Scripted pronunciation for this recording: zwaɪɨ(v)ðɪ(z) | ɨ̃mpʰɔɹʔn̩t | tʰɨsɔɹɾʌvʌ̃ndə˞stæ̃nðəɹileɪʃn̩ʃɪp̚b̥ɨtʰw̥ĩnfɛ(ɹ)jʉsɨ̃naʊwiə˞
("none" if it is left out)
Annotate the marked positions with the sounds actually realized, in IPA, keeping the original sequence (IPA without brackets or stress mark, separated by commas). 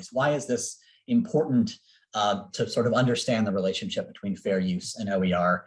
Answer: z, s, ɹ